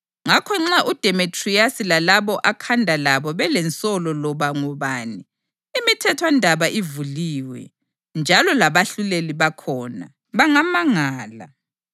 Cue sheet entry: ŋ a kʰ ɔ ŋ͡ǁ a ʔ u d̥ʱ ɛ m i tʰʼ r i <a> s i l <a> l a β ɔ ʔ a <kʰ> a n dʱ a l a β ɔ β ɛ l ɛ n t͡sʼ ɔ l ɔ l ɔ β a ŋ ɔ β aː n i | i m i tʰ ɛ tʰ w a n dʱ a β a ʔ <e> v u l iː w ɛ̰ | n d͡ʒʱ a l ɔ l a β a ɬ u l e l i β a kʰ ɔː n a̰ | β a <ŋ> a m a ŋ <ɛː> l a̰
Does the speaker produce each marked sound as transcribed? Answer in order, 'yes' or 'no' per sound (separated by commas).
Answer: yes, yes, yes, no, yes, no